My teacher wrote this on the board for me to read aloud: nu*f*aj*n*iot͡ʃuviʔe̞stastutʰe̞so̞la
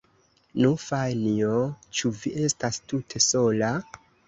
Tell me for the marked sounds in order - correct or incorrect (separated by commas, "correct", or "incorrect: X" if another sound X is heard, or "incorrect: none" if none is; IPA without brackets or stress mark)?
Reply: correct, correct